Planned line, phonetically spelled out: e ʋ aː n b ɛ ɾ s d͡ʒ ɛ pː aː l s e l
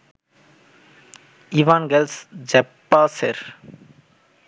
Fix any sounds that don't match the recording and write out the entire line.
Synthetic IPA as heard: i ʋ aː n ɡ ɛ l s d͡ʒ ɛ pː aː s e ɾ